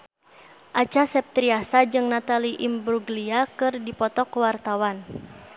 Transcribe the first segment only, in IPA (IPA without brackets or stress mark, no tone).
ʔ